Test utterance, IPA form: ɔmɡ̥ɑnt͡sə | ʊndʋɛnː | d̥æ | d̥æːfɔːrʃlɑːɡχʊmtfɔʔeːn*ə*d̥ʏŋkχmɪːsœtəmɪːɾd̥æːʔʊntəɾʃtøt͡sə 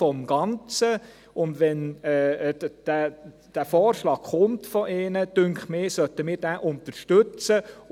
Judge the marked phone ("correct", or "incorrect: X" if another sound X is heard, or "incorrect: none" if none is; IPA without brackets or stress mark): correct